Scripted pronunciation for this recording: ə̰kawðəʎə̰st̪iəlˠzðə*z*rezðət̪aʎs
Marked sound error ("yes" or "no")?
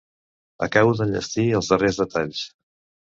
yes